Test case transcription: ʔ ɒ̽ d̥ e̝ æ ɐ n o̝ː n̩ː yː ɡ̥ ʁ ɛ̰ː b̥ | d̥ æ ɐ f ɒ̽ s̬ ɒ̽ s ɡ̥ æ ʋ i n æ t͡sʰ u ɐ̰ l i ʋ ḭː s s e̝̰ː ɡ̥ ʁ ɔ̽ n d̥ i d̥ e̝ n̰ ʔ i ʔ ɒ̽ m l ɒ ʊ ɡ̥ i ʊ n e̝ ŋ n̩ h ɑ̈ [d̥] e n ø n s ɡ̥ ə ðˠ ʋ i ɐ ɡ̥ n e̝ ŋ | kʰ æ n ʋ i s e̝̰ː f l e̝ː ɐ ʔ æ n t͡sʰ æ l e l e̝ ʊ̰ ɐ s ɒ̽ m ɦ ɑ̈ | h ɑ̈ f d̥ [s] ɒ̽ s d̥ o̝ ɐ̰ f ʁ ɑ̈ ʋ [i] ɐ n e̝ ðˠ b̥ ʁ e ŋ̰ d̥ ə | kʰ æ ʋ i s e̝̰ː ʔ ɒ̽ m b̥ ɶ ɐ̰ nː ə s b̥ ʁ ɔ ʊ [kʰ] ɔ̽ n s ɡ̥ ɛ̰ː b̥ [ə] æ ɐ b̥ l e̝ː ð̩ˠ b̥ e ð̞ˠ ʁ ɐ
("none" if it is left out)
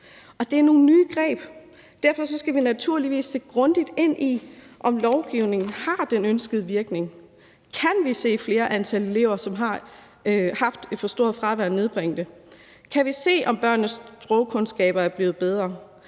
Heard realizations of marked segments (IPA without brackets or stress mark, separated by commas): d̥, f, æ, kʰ, ɐ